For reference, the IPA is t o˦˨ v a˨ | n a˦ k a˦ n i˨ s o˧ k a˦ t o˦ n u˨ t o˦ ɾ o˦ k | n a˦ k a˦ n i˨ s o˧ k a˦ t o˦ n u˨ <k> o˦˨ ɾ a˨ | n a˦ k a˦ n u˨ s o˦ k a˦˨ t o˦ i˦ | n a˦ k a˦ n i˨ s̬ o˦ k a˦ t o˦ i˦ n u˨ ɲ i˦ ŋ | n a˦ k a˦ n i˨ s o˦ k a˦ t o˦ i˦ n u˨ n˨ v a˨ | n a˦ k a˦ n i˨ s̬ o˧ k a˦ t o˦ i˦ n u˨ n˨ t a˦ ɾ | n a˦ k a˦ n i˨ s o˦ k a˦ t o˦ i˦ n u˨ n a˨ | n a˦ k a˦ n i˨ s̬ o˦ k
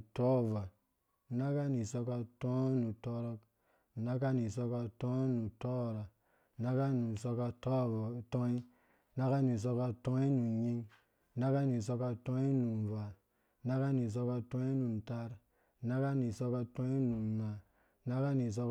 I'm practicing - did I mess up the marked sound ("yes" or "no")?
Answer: yes